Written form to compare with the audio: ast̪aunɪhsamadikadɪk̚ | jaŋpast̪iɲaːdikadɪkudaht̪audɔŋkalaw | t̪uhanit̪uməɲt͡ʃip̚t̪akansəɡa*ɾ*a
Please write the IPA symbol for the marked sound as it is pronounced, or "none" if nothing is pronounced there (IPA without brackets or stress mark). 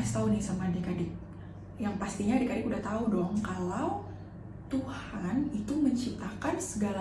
l